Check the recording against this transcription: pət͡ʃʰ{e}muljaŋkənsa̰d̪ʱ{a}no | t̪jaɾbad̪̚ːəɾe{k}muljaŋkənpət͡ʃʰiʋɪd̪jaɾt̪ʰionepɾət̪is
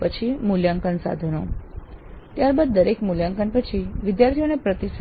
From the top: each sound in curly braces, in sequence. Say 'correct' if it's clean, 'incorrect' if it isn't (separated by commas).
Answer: incorrect, incorrect, correct